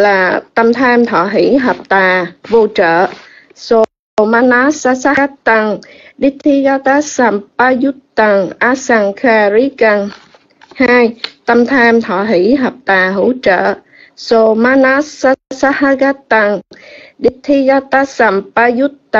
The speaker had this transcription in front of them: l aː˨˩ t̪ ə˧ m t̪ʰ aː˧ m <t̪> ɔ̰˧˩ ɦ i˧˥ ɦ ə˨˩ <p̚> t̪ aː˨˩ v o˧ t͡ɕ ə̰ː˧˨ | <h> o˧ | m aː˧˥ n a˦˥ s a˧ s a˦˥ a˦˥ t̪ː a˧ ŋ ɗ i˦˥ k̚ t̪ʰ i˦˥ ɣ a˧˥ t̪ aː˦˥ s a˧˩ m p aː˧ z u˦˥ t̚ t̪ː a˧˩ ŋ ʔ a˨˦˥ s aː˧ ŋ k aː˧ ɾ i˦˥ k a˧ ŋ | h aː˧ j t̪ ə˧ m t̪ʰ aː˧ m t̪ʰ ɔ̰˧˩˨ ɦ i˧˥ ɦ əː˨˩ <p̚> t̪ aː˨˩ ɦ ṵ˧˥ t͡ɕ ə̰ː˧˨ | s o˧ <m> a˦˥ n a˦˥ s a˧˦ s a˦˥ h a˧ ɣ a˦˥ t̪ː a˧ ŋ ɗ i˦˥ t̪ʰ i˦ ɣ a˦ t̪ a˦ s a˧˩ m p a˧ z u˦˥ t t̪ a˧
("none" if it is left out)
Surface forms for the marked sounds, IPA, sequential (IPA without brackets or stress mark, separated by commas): t̪ʰ, p̚, s, p̚, m